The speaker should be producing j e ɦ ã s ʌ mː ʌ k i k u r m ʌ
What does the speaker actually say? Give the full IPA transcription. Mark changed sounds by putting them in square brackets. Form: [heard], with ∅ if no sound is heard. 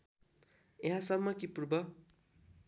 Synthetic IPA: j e ɦ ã s ʌ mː ʌ k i [p] u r [b] ʌ